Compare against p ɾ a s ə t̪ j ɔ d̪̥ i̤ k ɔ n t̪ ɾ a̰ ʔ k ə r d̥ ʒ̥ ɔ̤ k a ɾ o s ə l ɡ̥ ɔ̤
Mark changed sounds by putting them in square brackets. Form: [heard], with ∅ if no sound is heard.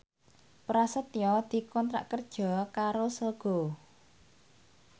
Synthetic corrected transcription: p ɾ a s ə t̪ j ɔ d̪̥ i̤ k ɔ n t̪ ɾ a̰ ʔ k ə r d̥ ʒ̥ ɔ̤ k a ɾ o s ə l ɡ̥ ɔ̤